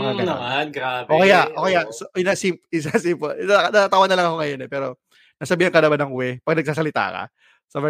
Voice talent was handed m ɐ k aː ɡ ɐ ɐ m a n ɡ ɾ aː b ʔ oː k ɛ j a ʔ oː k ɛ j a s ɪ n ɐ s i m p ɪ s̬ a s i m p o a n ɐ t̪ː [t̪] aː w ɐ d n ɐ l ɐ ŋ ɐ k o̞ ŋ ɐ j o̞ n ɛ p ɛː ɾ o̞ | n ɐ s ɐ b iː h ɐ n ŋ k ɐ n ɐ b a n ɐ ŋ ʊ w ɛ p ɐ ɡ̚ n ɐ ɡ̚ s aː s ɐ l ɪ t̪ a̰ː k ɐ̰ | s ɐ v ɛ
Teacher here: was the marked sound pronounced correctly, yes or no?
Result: yes